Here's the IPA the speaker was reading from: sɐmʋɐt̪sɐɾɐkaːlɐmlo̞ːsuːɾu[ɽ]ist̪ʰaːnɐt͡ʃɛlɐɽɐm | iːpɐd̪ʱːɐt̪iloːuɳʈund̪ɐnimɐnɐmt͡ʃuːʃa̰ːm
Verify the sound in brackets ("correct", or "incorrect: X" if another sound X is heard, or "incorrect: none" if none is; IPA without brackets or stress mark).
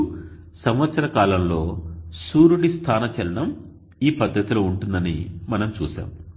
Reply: correct